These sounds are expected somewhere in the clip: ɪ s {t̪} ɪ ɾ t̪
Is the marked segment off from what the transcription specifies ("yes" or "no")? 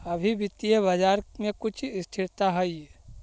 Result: yes